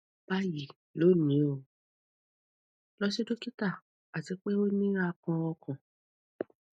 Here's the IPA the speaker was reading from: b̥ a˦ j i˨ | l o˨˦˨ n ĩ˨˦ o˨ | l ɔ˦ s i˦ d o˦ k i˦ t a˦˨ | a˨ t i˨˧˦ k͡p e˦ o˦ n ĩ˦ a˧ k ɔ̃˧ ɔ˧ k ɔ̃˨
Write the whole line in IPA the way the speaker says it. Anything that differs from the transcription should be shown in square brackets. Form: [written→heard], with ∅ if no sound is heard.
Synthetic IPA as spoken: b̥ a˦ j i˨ | l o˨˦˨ n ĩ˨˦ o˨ | l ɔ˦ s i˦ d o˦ k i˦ t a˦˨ | a˨ t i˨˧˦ k͡p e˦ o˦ n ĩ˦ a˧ k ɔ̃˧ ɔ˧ k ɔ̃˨